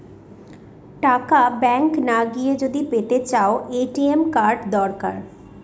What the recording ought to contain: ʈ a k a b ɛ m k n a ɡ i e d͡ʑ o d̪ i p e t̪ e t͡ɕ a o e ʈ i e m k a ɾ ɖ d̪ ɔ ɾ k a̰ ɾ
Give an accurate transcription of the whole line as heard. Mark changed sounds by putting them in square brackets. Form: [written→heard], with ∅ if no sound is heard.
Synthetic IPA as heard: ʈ a k a b ɛ [m→ŋ] k n a ɡ i e d͡ʑ o d̪ i p e t̪ e t͡ɕ a o e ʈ i e m k a ɾ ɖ d̪ ɔ ɾ k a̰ ɾ